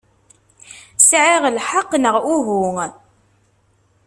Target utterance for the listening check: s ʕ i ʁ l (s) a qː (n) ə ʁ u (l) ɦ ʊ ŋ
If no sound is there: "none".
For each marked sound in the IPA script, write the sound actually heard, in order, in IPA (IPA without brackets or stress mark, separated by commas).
ħ, n, none